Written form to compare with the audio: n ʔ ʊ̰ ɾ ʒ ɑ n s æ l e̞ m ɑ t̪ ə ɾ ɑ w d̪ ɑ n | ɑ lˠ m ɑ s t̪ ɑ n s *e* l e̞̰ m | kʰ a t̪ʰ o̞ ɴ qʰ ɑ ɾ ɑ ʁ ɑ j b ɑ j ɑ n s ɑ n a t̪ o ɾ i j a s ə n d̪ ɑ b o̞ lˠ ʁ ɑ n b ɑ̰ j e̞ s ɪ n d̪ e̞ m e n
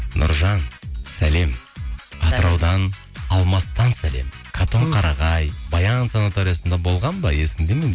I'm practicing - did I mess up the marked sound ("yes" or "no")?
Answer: yes